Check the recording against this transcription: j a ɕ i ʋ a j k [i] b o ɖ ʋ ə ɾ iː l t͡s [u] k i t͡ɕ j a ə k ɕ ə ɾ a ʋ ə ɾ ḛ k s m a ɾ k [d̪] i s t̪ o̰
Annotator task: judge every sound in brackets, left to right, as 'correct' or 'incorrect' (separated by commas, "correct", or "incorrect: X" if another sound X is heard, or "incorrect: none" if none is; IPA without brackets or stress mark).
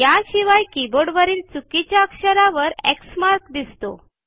correct, correct, correct